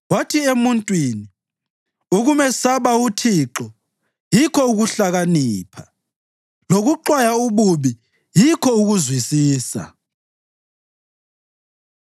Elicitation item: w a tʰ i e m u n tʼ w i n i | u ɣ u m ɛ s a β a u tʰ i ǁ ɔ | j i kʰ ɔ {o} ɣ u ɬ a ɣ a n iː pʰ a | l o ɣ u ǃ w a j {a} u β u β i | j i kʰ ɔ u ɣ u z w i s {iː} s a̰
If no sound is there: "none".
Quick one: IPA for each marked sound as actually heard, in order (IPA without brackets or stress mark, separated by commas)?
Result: u, a, iː